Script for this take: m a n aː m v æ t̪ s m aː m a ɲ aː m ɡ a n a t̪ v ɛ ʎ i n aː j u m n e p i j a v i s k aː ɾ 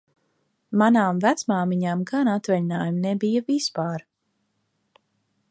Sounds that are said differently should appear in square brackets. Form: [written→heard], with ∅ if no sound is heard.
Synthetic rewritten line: m a n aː m v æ t̪ s m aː m [a→i] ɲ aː m ɡ a n a t̪ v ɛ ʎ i n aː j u m n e [p→b] i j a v i s [k→p] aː ɾ